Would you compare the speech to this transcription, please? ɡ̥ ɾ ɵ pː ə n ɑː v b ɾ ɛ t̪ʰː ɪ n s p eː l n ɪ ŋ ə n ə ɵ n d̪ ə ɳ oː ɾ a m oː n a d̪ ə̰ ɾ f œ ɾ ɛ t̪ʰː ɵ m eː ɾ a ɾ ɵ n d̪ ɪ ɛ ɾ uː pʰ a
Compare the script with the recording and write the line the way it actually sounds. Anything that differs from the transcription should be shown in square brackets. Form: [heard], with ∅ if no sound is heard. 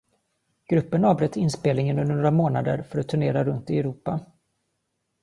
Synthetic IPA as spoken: ɡ̥ ɾ ɵ pː ə n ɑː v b ɾ ɛ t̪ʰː ɪ n s p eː l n ɪ ŋ ə n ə ɵ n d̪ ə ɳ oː ɾ a m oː n a d̪ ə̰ ɾ f œ ɾ [a] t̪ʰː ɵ [ɳ] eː ɾ a ɾ ɵ n [t̪] ɪ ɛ ɾ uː [p] a